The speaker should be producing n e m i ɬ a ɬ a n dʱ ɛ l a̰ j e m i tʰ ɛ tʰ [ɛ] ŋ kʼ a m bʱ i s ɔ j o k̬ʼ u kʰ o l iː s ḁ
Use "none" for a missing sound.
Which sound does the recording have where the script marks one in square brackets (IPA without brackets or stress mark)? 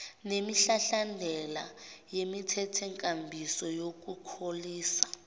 ɛ